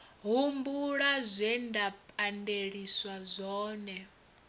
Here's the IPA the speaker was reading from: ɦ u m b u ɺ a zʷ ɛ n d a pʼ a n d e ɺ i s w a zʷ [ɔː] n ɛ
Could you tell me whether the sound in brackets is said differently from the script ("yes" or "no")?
no